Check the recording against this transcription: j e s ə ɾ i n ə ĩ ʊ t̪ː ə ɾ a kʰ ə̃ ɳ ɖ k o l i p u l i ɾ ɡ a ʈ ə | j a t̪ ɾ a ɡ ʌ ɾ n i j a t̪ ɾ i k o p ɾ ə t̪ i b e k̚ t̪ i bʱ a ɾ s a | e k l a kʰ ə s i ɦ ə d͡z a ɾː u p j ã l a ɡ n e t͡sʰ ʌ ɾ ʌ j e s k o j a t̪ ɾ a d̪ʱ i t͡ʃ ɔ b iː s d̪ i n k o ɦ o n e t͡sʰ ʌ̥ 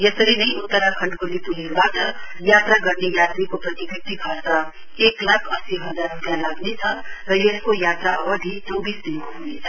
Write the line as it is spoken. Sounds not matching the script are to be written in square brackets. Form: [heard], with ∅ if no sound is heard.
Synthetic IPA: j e s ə ɾ i n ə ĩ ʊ t̪ː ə ɾ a kʰ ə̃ ɳ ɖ k o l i p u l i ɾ [b] a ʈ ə | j a t̪ ɾ a ɡ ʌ ɾ n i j a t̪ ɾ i k o p ɾ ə t̪ i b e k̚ t̪ i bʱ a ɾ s a | e k l a kʰ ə s i ɦ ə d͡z a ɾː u p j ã l a ɡ n e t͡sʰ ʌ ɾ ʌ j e s k o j a t̪ ɾ a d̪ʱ i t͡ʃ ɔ b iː s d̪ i n k o ɦ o n e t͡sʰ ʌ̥